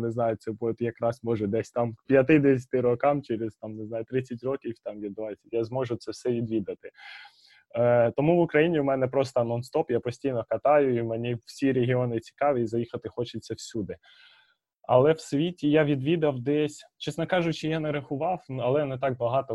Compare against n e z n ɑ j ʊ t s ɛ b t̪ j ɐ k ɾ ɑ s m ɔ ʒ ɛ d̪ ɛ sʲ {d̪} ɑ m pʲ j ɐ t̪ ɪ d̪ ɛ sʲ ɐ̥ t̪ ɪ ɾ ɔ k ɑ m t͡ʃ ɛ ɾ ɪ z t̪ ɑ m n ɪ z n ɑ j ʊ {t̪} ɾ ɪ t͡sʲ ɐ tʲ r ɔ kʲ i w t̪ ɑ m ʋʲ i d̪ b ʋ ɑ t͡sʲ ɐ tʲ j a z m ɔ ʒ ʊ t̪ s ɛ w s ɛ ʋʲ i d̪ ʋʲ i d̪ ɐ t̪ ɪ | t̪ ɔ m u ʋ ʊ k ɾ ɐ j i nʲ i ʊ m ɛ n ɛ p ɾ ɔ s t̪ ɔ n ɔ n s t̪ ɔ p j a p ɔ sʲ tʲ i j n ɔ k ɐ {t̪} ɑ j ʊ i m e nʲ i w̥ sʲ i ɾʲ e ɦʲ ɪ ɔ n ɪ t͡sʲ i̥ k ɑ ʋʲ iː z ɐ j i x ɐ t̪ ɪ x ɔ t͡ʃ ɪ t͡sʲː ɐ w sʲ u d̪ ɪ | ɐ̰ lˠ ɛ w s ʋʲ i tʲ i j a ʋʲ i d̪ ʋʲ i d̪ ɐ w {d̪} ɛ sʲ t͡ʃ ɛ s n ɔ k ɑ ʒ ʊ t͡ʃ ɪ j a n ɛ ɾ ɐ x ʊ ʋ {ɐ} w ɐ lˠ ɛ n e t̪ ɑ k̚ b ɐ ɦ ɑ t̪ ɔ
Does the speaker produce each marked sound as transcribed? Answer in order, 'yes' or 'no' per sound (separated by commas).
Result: no, yes, yes, yes, no